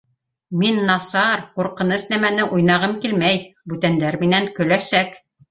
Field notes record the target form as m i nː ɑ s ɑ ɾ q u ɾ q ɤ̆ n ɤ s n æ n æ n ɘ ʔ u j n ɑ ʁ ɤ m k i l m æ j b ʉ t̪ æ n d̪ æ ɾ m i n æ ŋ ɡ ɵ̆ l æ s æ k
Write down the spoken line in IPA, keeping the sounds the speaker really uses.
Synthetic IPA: m i nː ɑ s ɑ ɾ q u ɾ q ɤ̆ n ɤ s n æ m æ n ɘ ʔ u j n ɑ ʁ ɤ m k i l m æ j b ʉ t̪ æ n d̪ æ ɾ m i n æ ŋ k ɵ̆ l æ s æ k